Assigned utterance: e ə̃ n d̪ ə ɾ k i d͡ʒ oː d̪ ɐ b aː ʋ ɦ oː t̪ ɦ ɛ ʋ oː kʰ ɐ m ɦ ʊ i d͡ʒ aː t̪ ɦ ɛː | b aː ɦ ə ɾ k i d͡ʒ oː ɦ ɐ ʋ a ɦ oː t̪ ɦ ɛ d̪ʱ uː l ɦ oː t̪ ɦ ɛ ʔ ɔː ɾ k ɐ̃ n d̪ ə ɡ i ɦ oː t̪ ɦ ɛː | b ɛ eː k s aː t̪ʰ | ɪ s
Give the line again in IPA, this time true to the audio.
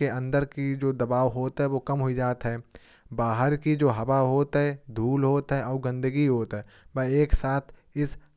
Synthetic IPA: e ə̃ n d̪ ə ɾ k i d͡ʒ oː d̪ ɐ b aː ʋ ɦ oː t̪ ɦ ɛ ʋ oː k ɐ m ɦ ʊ i d͡ʒ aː t̪ ɦ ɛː | b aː ɦ ə ɾ k i d͡ʒ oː ɦ ɐ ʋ a ɦ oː t̪ ɦ ɛ d̪ʱ uː l ɦ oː t̪ ɦ ɛ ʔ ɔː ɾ ɡ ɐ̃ n d̪ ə ɡ i ɦ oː t̪ ɦ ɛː | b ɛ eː k s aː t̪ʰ | ɪ s